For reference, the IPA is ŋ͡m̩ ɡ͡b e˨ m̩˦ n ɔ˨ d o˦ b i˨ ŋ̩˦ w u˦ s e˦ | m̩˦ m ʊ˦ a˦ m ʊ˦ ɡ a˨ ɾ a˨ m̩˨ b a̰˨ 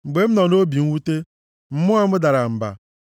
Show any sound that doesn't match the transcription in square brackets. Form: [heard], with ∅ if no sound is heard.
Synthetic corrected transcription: ŋ͡m̩ ɡ͡b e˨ m̩˦ n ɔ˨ [n] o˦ b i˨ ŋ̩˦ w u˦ [t] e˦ | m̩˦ m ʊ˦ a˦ m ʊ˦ [d] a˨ ɾ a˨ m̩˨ b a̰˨